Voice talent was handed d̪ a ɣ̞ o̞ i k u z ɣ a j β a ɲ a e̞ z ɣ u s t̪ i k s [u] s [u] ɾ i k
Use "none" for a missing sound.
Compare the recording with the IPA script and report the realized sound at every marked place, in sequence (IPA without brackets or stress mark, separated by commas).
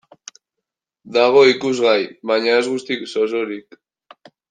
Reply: o, o